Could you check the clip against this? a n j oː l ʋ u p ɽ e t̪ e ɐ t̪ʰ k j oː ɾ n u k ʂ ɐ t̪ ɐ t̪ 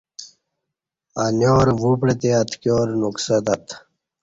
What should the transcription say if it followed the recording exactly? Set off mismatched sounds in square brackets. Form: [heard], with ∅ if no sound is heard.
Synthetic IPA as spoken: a n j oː [ɾ] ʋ u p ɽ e t̪ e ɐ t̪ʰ k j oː ɾ n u k [s] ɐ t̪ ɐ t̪